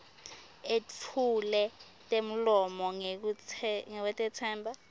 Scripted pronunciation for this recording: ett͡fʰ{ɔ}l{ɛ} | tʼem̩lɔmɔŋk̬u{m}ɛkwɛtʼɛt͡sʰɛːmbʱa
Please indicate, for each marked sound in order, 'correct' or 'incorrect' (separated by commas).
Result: incorrect, correct, incorrect